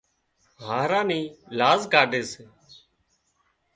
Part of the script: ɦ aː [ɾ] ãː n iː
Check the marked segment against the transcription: correct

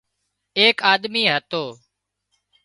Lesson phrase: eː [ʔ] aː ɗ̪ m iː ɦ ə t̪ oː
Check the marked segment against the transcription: incorrect: k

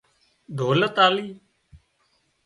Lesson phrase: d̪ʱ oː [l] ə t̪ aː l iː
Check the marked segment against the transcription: correct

